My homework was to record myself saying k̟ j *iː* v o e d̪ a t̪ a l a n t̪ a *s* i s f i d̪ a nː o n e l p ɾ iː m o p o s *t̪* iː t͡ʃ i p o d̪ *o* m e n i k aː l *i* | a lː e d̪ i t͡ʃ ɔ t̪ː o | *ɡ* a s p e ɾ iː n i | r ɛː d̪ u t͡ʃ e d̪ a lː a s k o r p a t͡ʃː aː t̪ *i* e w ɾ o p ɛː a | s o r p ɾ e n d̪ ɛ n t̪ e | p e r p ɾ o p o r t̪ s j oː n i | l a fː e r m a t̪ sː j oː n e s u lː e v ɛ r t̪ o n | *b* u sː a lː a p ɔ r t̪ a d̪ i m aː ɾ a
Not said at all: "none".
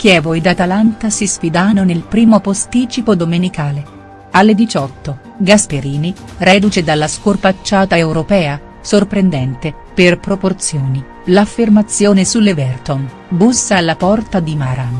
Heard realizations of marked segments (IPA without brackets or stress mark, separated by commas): ɛː, s, t̪, o, e, ɡ, a, b